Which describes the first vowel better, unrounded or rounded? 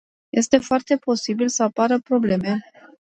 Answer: unrounded